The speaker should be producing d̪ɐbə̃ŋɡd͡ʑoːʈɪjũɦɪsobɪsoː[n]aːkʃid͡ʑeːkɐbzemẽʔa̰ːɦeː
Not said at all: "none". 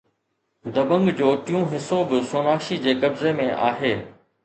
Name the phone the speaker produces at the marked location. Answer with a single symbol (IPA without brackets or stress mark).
n